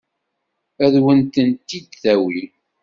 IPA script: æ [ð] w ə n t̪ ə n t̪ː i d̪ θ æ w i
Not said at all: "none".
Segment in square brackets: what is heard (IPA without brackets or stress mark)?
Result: ð